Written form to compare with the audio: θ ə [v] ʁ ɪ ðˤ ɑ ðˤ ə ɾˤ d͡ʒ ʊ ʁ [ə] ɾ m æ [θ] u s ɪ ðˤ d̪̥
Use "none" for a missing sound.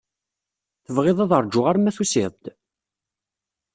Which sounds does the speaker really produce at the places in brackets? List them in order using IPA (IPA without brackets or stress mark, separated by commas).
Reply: v, a, θ